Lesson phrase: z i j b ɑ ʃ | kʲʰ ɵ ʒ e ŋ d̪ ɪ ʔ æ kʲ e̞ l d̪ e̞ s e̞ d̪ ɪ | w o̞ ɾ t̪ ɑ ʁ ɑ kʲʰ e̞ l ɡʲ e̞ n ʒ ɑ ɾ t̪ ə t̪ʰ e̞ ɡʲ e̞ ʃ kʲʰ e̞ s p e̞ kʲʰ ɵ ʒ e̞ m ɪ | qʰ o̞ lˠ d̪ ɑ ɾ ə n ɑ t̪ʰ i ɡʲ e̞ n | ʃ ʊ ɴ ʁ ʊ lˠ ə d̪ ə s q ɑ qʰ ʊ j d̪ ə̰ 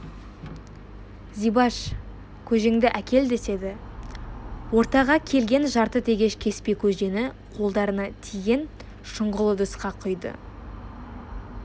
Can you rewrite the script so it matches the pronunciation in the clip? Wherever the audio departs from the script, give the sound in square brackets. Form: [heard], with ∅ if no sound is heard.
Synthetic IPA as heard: z i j b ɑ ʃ | kʲʰ ɵ ʒ e ŋ d̪ ɪ ʔ æ kʲ e̞ l d̪ e̞ s e̞ d̪ ɪ | w o̞ ɾ t̪ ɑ ʁ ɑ kʲʰ e̞ l ɡʲ e̞ n ʒ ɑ ɾ t̪ ə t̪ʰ e̞ ɡʲ e̞ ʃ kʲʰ e̞ s p e̞ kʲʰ ɵ ʒ e̞ [n] ɪ | qʰ o̞ lˠ d̪ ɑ ɾ ə n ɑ t̪ʰ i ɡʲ e̞ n | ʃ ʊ ɴ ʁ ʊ lˠ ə d̪ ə s q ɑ qʰ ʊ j d̪ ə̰

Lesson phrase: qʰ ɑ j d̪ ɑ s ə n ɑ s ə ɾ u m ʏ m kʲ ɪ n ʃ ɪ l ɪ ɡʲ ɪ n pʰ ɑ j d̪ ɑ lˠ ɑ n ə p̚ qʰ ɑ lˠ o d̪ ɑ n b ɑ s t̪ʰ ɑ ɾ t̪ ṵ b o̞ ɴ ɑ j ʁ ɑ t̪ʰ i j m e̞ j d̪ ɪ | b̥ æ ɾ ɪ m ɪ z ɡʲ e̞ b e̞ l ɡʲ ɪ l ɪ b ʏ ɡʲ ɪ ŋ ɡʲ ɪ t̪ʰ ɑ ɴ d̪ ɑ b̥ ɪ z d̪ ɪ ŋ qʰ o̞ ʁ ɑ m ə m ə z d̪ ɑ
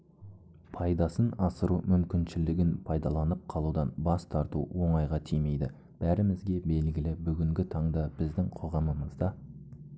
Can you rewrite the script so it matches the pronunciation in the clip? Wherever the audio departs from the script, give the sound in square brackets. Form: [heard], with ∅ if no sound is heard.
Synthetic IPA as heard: [pʰ] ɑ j d̪ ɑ s ə n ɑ s ə ɾ u m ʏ m kʲ ɪ n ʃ ɪ l ɪ ɡʲ ɪ n pʰ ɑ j d̪ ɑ lˠ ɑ n ə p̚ qʰ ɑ lˠ [u] d̪ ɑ n b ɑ s t̪ʰ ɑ ɾ t̪ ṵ [w] o̞ ɴ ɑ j ʁ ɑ t̪ʰ i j m e̞ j d̪ ɪ | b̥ æ ɾ ɪ m ɪ z ɡʲ e̞ b e̞ l ɡʲ ɪ l ɪ b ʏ ɡʲ ɪ ŋ ɡʲ ɪ t̪ʰ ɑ ɴ d̪ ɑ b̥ ɪ z d̪ ɪ ŋ qʰ o̞ ʁ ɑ m ə m ə z d̪ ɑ

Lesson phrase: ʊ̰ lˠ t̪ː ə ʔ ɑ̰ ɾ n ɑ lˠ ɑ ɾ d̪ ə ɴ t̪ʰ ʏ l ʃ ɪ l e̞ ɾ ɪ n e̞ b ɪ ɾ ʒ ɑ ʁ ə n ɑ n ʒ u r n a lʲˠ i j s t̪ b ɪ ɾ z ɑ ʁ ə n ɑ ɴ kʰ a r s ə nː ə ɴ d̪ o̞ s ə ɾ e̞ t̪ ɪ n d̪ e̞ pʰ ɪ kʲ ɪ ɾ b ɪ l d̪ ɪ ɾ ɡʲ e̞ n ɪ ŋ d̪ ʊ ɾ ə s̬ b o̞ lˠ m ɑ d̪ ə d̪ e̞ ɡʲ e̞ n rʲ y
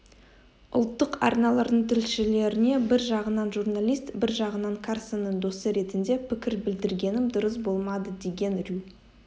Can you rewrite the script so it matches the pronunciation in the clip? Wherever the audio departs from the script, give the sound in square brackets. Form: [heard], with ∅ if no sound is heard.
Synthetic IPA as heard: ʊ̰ lˠ t̪ː ə [q] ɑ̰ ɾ n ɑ lˠ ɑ ɾ d̪ ə ɴ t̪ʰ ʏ l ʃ ɪ l e̞ ɾ ɪ n e̞ b ɪ ɾ ʒ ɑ ʁ ə n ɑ n ʒ u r n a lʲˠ i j s t̪ b ɪ ɾ [ʒ] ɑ ʁ ə n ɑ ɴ kʰ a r s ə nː ə ɴ d̪ o̞ s ə ɾ e̞ t̪ ɪ n d̪ e̞ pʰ ɪ kʲ ɪ ɾ b ɪ l d̪ ɪ ɾ ɡʲ e̞ n ɪ [m] d̪ ʊ ɾ ə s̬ b o̞ lˠ m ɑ d̪ ə d̪ e̞ ɡʲ e̞ n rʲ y

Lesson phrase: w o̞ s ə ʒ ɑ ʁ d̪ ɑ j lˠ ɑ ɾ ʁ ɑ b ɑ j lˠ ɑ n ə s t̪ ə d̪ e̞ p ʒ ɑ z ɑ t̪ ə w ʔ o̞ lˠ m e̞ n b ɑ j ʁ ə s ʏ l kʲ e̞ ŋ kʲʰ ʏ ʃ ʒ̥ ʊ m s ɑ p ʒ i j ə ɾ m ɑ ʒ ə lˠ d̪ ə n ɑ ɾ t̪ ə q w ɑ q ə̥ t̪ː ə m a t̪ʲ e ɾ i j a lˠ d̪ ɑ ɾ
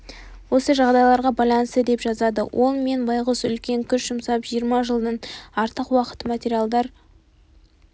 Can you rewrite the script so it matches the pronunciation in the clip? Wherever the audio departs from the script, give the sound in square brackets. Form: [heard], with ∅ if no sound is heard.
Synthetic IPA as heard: w o̞ s ə ʒ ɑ ʁ d̪ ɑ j lˠ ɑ ɾ ʁ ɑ b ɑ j lˠ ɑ n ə s t̪ ə d̪ e̞ p ʒ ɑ z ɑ [d̪] ə w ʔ o̞ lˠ m e̞ n b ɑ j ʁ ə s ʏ l kʲ e̞ ŋ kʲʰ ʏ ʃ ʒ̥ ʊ m s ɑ p ʒ i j ə ɾ m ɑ ʒ ə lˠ d̪ ə n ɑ ɾ t̪ ə q w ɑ q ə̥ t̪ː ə m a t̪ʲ e ɾ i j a lˠ d̪ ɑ ɾ

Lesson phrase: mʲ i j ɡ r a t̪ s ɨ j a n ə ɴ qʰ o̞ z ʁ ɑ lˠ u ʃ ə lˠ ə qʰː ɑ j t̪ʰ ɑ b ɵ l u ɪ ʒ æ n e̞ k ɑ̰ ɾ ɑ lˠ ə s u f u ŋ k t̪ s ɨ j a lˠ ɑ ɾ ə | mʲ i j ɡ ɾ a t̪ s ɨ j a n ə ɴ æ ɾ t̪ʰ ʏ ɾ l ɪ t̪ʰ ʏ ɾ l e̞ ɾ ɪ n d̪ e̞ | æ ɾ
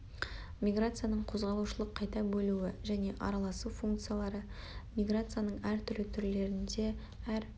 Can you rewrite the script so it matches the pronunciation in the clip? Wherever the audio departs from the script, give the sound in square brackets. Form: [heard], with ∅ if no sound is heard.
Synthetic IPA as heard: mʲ i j ɡ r a t̪ s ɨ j a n ə ɴ qʰ o̞ z ʁ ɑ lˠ u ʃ ə lˠ ə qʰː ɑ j [t̪] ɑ b ɵ l u ɪ ʒ æ n e̞ [ʔ] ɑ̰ ɾ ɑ lˠ [ɑ] s u f u ŋ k t̪ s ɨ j a lˠ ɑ ɾ ə | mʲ i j ɡ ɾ a t̪ s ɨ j a n ə ɴ æ ɾ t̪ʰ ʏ ɾ l ɪ t̪ʰ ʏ ɾ l e̞ ɾ ɪ n d̪ e̞ | æ ɾ

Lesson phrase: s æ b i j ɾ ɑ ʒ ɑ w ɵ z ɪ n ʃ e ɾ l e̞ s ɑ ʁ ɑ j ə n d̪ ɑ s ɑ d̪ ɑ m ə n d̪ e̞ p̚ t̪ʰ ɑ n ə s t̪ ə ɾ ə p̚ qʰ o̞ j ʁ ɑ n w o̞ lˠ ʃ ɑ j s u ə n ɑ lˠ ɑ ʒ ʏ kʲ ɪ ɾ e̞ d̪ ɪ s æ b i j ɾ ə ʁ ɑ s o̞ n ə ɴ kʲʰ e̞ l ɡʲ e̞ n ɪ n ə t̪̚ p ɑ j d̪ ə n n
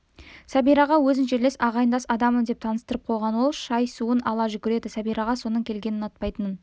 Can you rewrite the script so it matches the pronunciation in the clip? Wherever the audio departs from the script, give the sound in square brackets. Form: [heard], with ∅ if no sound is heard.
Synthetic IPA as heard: s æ b i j ɾ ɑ [ʁ] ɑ w ɵ z ɪ n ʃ e ɾ l e̞ s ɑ ʁ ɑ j ə n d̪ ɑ s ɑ d̪ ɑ m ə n d̪ e̞ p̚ t̪ʰ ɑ n ə s t̪ ə ɾ ə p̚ qʰ o̞ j ʁ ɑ n w o̞ lˠ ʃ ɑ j s u ə n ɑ lˠ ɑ ʒ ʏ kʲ ɪ ɾ e̞ d̪ ɪ s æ b i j ɾ [ɑ] ʁ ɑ s o̞ n ə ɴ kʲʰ e̞ l ɡʲ e̞ n ɪ n [ɑ] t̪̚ p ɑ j [t̪] ə n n

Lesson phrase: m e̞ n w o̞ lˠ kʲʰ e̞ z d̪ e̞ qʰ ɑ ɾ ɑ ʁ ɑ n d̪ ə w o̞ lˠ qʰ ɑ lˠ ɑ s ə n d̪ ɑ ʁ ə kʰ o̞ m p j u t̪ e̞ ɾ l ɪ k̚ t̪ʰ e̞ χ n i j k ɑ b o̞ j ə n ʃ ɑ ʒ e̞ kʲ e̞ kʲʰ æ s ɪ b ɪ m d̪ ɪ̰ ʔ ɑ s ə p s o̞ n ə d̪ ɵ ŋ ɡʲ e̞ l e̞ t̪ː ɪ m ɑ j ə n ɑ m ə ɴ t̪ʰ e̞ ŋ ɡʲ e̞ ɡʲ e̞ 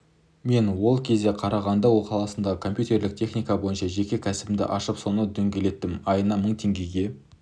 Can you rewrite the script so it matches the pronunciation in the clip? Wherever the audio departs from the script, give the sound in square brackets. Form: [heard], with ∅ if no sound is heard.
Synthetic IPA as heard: m e̞ n w o̞ lˠ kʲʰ e̞ z d̪ e̞ qʰ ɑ ɾ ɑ ʁ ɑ n d̪ [ɑ] w o̞ lˠ qʰ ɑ lˠ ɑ s ə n d̪ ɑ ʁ ə kʰ o̞ m p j u t̪ e̞ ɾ l ɪ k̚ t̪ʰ e̞ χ n i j k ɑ b o̞ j ə n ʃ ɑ ʒ e̞ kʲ e̞ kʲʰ æ s ɪ b ɪ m d̪ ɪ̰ ʔ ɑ [ʃ] ə p s o̞ n ə d̪ ɵ ŋ ɡʲ e̞ l e̞ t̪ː ɪ m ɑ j ə n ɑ m ə ɴ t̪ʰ e̞ ŋ ɡʲ e̞ ɡʲ e̞

